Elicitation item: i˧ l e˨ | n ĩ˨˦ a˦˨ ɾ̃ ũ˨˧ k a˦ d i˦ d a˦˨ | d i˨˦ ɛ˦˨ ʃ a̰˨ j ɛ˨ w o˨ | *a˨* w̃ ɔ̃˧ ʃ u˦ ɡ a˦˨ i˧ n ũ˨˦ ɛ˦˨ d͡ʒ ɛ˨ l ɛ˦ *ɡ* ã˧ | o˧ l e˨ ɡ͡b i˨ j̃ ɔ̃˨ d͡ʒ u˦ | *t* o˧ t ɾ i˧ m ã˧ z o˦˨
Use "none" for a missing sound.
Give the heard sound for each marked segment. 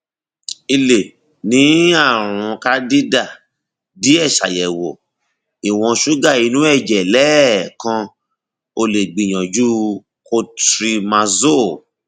i˨, k, k

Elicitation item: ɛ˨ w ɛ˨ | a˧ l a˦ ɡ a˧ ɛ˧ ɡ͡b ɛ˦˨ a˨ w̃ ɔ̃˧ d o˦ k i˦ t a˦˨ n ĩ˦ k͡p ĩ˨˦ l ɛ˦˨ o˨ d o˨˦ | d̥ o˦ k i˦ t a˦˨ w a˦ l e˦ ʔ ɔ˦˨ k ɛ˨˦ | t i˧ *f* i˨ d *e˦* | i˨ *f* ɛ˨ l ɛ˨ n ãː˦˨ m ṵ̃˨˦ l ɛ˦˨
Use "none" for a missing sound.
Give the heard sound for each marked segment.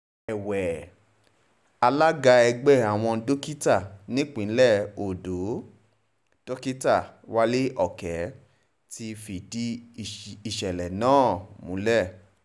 f, i˦, ʃ

